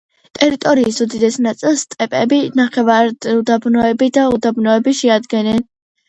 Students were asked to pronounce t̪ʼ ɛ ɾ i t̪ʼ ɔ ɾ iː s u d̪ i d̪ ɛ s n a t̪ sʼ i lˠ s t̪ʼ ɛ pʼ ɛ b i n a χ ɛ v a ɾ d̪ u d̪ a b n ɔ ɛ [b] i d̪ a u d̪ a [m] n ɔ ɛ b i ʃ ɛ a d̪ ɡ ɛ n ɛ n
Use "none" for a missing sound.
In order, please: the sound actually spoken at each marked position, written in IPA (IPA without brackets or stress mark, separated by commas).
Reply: b, b